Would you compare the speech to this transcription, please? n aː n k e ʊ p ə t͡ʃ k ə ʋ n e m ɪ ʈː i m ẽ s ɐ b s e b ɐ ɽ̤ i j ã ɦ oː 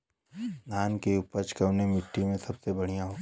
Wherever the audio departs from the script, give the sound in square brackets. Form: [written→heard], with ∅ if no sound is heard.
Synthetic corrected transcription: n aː n k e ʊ p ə t͡ʃ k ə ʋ n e m ɪ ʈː i m ẽ s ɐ b s e b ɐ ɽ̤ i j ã ɦ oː